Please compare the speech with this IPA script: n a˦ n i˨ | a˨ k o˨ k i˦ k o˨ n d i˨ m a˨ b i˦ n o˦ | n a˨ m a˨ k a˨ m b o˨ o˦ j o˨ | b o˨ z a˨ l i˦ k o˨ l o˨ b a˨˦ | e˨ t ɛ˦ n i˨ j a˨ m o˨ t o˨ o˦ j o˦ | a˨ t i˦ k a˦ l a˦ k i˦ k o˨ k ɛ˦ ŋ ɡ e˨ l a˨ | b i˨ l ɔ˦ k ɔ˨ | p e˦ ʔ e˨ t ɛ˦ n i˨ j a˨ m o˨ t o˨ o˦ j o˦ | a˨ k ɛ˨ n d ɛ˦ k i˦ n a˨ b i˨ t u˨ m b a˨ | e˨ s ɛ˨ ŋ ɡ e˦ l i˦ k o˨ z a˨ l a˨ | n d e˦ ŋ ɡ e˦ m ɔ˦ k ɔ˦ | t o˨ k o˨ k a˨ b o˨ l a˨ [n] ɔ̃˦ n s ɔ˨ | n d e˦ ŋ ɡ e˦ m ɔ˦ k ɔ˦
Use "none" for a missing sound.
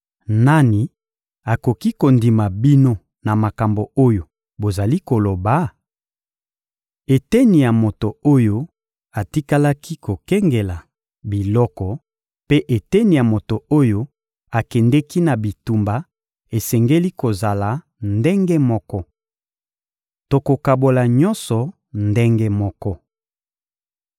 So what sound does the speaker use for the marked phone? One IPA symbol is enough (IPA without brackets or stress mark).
ɲ